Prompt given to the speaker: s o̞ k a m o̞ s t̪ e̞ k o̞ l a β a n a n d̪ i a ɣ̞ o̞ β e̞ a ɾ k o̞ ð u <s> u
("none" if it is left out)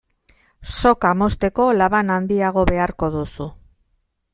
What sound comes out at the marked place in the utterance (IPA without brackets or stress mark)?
s